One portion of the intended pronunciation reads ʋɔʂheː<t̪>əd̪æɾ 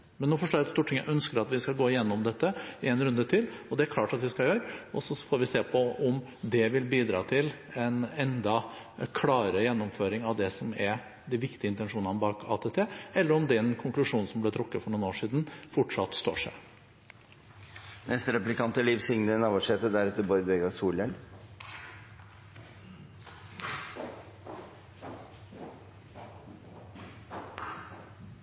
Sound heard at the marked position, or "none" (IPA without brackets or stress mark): t̪